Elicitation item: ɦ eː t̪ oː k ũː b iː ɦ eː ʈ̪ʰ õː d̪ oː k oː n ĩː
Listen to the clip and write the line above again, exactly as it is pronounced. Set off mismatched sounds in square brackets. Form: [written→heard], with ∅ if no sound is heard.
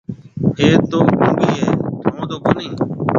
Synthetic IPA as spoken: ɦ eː t̪ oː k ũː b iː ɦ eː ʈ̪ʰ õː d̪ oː k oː n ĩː